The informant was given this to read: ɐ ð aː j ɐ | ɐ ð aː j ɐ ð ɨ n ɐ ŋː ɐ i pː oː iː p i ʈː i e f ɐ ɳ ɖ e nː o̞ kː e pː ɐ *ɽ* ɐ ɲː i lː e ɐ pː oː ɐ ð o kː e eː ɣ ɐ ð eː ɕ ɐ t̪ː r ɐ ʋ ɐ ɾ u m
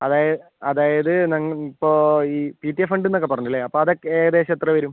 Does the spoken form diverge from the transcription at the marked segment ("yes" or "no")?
yes